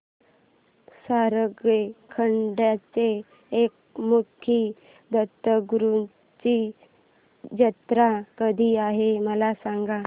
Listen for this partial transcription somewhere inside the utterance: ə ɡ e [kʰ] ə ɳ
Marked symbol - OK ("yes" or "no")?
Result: yes